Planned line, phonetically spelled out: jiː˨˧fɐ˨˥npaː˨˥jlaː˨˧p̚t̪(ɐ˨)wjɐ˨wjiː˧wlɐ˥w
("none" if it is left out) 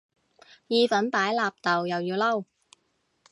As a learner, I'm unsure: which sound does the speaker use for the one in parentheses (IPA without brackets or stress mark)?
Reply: ɐ˨